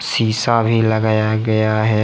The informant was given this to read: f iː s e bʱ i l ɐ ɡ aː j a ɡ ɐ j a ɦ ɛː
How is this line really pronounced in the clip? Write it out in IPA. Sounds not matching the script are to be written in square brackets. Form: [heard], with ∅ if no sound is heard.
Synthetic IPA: [s] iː s [a] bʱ i l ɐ ɡ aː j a ɡ ɐ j a ɦ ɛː